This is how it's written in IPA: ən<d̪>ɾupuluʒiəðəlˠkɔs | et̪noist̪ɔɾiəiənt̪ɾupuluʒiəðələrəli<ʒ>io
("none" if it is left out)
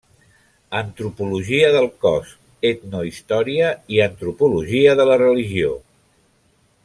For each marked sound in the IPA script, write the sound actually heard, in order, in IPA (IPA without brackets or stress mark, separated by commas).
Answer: t̪, ʒ